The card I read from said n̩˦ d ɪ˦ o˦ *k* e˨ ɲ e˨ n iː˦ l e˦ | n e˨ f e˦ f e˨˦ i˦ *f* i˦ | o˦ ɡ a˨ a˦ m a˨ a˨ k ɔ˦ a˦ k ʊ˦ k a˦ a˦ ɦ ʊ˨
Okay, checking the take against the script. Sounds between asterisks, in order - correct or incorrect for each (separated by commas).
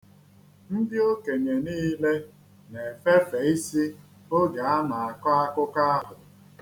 correct, incorrect